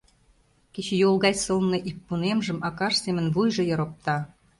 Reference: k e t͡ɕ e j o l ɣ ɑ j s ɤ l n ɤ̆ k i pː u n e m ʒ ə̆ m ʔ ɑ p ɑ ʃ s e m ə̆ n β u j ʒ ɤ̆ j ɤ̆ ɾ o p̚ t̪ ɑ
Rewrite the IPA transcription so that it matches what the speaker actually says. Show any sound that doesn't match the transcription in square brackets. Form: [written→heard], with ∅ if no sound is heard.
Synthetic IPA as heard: k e t͡ɕ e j o l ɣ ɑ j s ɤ l n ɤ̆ [k→ʔ] i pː u n e m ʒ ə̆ m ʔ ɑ [p→k] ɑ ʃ s e m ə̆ n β u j ʒ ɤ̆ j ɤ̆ ɾ o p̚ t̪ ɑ